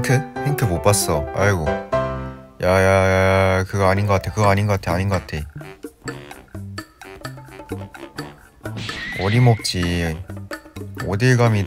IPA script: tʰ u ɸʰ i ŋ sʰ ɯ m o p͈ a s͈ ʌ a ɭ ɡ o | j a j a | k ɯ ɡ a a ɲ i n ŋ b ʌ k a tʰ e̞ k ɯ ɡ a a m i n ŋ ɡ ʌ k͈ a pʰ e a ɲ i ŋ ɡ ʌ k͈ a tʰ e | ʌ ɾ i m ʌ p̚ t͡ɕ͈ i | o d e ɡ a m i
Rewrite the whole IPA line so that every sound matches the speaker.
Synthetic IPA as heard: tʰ ɯ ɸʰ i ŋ tʰ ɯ m o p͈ a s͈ ʌ a ɭ ɡ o | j a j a | k ɯ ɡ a a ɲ i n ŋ ɡ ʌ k a tʰ e̞ k ɯ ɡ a a ɲ i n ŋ ɡ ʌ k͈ a tʰ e a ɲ i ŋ ɡ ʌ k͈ a tʰ e | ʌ ɾ i m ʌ p̚ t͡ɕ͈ i | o d e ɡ a m i